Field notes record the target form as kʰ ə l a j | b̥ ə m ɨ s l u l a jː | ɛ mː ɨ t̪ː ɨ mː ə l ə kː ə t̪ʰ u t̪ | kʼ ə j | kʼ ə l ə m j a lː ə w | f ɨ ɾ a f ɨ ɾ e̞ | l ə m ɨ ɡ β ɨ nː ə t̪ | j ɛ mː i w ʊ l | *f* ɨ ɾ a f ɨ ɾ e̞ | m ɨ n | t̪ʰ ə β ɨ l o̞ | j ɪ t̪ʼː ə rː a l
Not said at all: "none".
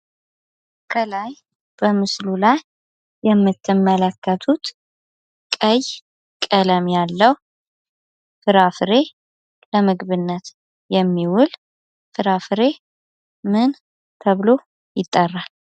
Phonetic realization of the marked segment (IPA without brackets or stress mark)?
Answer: f